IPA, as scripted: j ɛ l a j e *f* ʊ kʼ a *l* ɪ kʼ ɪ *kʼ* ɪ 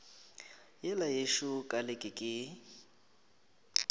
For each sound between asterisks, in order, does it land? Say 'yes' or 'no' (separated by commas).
no, yes, yes